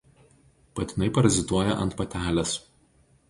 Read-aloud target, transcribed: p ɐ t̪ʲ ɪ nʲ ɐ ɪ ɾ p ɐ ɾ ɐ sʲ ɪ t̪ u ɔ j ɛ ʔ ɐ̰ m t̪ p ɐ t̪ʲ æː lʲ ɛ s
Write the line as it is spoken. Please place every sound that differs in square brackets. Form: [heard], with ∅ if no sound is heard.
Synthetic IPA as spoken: p ɐ t̪ʲ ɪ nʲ ɐ ɪ [∅] p ɐ ɾ ɐ [zʲ] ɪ t̪ u ɔ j ɛ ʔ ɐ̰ [n] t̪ p ɐ t̪ʲ æː lʲ ɛ s